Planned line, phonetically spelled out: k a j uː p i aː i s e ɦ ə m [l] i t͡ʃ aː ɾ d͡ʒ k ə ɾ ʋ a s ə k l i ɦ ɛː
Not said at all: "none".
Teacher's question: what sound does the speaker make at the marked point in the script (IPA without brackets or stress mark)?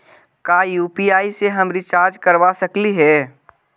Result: ɾ